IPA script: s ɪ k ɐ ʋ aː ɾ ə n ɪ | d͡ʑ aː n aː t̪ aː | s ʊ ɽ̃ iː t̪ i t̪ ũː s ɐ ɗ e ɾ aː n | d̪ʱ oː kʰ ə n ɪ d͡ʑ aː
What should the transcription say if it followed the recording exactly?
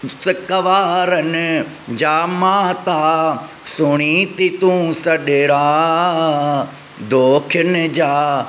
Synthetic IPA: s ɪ k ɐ ʋ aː ɾ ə n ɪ | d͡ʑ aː m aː t̪ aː | s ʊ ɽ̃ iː t̪ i t̪ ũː s ɐ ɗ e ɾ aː | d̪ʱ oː kʰ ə n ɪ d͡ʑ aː